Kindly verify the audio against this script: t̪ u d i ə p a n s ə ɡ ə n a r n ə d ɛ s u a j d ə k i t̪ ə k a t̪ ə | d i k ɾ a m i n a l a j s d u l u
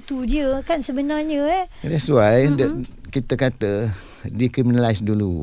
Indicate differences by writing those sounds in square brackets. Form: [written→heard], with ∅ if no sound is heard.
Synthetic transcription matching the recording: t̪ u d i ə [p→k] a n s ə [ɡ→b] ə n a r [n→ɲ] ə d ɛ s u a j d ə k i t̪ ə k a t̪ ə | d i k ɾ [a→i] m i n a l a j s d u l u